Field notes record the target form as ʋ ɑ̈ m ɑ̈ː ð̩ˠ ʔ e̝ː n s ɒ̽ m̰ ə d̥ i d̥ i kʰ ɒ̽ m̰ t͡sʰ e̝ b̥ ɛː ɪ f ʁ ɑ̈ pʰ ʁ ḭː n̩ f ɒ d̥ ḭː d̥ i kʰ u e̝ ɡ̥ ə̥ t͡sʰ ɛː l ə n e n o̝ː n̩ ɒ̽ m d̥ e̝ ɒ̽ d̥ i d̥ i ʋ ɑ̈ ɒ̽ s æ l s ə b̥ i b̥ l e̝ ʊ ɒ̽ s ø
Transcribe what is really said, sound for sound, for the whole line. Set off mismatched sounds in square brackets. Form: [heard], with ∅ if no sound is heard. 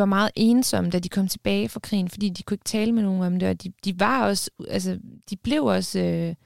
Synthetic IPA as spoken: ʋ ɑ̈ m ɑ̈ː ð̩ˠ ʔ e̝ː n s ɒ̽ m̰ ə d̥ [æ] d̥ i kʰ ɒ̽ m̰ t͡sʰ e̝ b̥ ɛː ɪ f ʁ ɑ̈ [kʰ] ʁ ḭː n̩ f ɒ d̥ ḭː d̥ i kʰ u e̝ ɡ̥ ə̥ t͡sʰ ɛː l ə [m] e n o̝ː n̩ ɒ̽ m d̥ e̝ ɒ̽ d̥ i d̥ i ʋ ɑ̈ ɒ̽ s æ l s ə [d̥] i b̥ l e̝ ʊ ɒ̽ s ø